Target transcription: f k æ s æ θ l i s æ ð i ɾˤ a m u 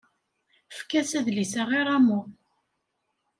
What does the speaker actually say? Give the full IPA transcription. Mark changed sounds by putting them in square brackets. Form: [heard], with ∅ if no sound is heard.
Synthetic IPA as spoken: f k æ s æ [ð] l i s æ [ʁ] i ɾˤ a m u